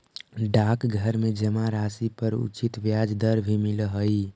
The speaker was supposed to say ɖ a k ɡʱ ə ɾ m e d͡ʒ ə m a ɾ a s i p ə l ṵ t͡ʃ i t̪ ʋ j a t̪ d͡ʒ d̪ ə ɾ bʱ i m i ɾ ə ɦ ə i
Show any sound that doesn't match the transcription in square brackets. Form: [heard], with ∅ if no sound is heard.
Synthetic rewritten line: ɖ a k ɡʱ ə ɾ m e d͡ʒ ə m a ɾ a s i p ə [ɾ] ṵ t͡ʃ i t̪ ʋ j a [∅] d͡ʒ d̪ ə ɾ bʱ i m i [l] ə ɦ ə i